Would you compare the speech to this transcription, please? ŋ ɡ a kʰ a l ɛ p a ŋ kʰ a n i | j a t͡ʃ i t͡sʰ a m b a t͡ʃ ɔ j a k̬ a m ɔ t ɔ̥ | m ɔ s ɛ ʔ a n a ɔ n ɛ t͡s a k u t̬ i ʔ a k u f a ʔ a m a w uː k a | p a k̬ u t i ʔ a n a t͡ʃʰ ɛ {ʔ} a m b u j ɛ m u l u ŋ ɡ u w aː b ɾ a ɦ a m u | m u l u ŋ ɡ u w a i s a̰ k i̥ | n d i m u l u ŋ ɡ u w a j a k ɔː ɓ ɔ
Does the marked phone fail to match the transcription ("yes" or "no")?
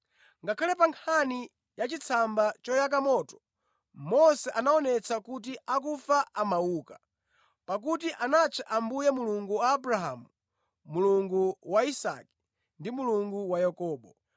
no